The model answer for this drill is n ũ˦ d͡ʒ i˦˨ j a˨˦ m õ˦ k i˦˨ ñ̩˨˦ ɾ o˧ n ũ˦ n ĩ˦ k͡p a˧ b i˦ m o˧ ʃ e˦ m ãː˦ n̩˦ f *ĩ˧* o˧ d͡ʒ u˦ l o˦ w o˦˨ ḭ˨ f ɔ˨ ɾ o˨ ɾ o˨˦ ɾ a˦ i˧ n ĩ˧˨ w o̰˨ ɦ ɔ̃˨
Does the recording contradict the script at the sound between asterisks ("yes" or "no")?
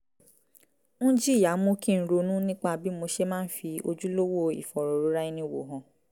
yes